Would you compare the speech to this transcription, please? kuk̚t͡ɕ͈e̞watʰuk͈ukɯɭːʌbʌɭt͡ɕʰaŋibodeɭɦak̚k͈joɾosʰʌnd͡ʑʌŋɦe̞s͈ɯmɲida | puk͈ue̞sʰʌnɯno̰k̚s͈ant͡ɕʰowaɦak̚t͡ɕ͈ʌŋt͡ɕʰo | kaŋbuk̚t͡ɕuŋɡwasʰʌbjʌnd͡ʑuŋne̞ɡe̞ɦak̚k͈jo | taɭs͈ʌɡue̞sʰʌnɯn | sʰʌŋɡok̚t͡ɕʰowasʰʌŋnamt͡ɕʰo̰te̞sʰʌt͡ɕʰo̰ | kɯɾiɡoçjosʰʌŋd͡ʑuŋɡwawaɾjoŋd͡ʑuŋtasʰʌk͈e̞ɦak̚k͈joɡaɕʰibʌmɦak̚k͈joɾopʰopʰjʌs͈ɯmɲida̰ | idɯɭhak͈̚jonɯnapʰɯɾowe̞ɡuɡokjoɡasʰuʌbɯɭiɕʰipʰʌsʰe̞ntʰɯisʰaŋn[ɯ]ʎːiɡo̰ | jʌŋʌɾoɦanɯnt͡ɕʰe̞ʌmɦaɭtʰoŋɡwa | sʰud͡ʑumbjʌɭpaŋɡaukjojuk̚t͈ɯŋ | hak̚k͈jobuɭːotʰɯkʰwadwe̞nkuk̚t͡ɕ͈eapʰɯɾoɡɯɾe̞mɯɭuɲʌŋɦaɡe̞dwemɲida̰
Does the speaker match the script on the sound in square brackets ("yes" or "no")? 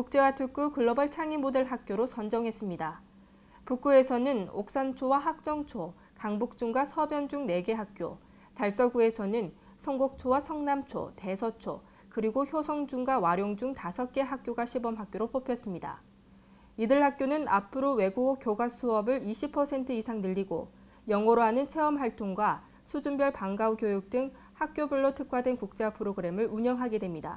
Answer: yes